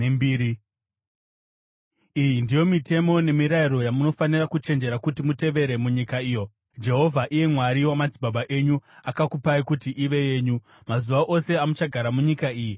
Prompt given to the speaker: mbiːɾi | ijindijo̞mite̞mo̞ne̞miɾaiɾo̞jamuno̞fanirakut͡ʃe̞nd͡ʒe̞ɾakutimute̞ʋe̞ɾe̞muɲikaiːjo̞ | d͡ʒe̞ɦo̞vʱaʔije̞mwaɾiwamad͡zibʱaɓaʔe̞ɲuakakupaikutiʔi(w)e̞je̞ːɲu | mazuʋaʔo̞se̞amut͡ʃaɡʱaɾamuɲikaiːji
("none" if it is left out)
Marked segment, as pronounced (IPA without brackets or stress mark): ʋ